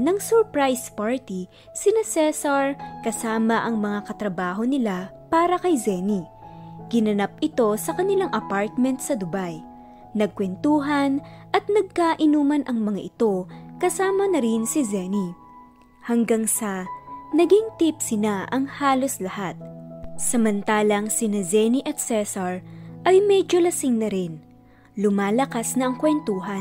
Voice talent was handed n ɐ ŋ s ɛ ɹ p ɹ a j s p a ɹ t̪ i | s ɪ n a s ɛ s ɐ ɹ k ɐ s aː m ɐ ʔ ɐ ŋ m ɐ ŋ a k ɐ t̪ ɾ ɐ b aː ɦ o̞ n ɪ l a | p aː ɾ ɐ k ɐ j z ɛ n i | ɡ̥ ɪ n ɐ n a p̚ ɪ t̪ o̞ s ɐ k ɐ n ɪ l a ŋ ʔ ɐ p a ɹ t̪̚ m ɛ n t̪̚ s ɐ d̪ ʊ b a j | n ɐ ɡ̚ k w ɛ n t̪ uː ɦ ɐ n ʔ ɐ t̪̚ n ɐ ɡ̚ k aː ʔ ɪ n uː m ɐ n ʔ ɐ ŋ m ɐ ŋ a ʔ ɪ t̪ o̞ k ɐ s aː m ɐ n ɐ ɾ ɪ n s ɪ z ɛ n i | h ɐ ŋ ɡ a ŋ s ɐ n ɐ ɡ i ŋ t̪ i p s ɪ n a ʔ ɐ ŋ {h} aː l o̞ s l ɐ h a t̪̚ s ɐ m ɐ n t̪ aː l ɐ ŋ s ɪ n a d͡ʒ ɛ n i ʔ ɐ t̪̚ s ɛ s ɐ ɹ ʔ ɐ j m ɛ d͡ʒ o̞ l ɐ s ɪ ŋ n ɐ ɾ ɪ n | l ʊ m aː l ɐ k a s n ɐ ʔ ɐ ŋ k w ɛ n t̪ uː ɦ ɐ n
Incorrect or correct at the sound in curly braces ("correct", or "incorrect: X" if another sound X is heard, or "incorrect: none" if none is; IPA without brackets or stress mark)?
correct